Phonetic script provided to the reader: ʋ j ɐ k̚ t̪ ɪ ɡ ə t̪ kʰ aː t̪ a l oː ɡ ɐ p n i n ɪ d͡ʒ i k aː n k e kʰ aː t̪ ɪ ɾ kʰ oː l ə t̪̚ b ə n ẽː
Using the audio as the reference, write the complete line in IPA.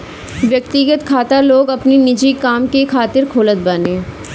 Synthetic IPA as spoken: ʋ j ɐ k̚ t̪ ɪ ɡ ə t̪ kʰ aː t̪ a l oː ɡ ɐ p n i n ɪ d͡ʒ i k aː m k e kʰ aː t̪ ɪ ɾ kʰ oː l ə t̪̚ b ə n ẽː